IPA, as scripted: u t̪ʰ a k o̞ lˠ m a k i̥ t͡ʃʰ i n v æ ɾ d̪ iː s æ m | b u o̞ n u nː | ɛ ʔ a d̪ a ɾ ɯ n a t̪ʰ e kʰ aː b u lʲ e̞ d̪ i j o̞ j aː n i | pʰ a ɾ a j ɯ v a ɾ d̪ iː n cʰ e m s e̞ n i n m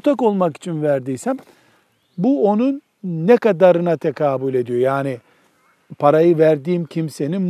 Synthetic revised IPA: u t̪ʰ a k o̞ lˠ m a k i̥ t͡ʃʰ i n v æ ɾ d̪ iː s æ m | b u o̞ n u nː | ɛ k a d̪ a ɾ ɯ n a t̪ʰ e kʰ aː b u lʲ e̞ d̪ i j o̞ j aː n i | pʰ a ɾ a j ɯ v æ ɾ d̪ iː m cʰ i m s e̞ n i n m